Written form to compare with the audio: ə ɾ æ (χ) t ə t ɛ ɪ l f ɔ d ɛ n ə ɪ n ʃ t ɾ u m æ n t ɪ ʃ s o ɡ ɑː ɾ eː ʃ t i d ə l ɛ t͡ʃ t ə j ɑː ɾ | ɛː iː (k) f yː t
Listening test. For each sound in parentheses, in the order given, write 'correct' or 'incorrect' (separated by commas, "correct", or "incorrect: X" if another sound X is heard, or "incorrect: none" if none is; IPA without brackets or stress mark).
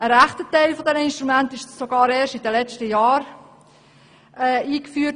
correct, correct